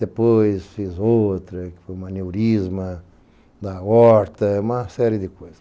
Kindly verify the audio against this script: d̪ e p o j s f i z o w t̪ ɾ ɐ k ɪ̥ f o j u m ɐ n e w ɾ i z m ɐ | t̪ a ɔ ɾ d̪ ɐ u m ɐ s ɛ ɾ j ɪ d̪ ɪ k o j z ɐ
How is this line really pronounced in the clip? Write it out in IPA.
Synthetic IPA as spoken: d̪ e p o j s f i z o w t̪ ɾ ɐ k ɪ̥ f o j u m ɐ n e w ɾ i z m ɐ | d̪ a ɔ ɾ t̪ ɐ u m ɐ s ɛ ɾ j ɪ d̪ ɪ k o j z ɐ